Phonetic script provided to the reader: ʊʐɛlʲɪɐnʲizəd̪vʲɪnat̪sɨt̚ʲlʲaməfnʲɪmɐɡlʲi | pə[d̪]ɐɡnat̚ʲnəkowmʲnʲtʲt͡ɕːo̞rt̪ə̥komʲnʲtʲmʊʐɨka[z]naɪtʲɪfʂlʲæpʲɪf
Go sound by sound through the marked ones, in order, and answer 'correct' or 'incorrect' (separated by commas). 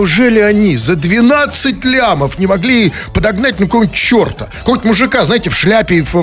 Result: correct, correct